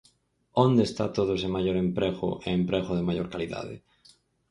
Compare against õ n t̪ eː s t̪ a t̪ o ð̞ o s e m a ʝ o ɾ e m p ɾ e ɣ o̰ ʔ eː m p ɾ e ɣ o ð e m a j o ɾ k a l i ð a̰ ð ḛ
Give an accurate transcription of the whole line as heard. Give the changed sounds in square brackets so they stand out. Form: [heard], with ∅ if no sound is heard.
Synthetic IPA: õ n [d̪] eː s t̪ a t̪ o ð̞ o s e m a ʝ o ɾ e m p ɾ e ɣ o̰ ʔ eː m p ɾ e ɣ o ð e m a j o ɾ k a l i ð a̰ ð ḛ